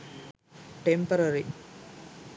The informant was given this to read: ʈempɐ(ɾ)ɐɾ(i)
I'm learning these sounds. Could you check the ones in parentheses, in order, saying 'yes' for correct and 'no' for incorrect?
yes, yes

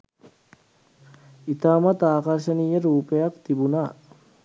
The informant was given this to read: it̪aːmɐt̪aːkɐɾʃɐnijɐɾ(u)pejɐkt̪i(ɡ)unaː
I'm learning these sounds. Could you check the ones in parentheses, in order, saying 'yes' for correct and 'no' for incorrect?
no, no

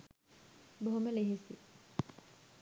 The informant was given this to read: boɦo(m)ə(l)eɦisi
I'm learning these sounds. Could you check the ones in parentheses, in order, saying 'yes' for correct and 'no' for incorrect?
yes, yes

